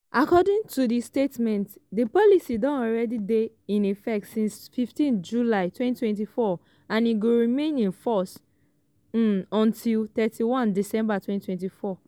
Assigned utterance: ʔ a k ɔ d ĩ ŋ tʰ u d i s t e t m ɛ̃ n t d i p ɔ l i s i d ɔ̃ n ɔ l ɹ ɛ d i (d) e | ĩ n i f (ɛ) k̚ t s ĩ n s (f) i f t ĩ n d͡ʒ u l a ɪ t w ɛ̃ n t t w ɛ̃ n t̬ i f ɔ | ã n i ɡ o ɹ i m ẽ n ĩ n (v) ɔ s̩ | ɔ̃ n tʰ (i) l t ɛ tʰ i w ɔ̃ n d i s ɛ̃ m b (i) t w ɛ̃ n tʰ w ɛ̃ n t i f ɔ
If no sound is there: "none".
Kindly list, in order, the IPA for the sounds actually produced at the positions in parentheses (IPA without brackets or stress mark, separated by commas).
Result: d, ɛ, f, f, i, a